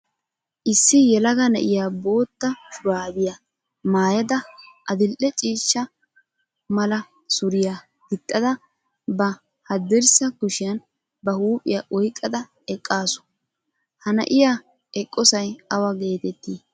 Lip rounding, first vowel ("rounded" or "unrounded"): unrounded